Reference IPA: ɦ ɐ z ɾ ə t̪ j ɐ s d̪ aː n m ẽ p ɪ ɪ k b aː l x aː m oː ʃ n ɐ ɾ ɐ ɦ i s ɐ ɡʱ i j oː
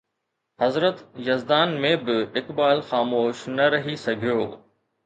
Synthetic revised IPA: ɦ ɐ z ɾ ə t̪ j ɐ z d̪ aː n m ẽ b ɪ ɪ k b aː l x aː m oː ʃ n ɐ ɾ ɐ ɦ i s ɐ ɡʱ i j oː